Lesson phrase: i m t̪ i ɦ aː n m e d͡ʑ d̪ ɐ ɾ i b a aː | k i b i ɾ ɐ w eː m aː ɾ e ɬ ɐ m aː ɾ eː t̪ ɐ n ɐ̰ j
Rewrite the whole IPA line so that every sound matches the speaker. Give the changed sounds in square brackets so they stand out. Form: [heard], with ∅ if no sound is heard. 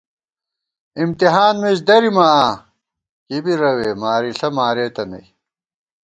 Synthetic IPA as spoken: i m t̪ i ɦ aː n m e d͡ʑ d̪ ɐ ɾ i [m] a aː | k i b i ɾ ɐ w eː m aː ɾ [i] ɬ ɐ m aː ɾ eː t̪ ɐ n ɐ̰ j